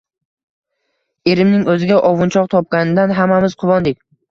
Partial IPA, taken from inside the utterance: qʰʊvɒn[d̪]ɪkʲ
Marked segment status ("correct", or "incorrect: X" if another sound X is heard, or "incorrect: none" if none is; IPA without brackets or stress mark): correct